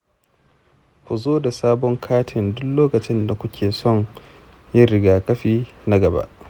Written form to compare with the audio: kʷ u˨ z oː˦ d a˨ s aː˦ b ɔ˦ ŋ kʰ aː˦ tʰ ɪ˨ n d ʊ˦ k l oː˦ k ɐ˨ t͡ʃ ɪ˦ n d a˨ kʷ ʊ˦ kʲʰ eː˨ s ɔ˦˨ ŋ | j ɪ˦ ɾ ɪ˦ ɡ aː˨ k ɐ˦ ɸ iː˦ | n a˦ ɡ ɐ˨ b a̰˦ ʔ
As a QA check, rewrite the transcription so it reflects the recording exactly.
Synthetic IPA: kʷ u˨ z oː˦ d a˨ s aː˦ b ɔ˦ ŋ kʰ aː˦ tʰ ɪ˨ n d ʊ˦ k l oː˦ k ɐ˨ t͡ʃ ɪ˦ n d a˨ kʷ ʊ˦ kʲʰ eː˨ s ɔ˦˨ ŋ | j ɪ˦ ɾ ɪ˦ ɡ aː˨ k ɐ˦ ɸ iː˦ | n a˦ ɡ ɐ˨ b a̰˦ ʔ